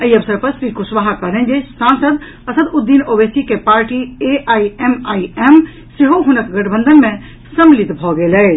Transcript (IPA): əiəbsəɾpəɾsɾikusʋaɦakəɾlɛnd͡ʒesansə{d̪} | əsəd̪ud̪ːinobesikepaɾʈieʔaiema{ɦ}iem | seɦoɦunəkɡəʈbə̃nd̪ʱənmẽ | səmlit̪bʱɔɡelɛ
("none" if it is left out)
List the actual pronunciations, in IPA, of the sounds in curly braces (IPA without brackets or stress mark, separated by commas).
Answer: d̪, none